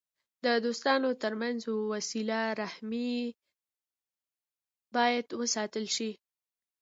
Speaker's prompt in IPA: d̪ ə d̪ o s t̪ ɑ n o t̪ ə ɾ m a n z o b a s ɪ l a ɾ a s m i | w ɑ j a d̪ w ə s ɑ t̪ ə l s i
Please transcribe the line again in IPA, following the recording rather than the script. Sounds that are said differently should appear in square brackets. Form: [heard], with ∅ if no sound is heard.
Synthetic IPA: d̪ ə d̪ o s t̪ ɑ n o t̪ ə ɾ m a n z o [w] a s [i] l a ɾ a [h] m i | [b] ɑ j a d̪ w ə s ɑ t̪ ə l [ʃ] i